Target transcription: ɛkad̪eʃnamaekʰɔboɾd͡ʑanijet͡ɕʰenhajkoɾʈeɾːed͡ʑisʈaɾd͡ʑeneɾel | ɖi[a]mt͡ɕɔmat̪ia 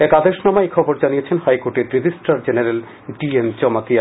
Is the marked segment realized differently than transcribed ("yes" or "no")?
yes